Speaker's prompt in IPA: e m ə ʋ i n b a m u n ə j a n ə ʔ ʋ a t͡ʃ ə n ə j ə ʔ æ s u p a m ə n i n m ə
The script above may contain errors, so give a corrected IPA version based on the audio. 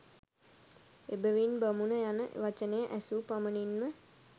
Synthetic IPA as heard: e b ə ʋ i n b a m u n ə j a n ə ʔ ʋ a t͡ʃ ə n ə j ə ʔ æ s u p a m ə n i n m ə